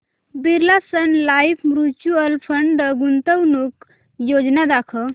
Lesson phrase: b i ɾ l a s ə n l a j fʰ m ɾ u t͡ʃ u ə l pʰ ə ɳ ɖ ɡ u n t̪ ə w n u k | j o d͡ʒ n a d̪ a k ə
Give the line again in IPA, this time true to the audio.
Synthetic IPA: b i ɾ l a s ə n l a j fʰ m ɾ u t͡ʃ u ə l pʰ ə ɳ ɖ ɡ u n t̪ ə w n u k | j o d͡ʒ n a d̪ a kʰ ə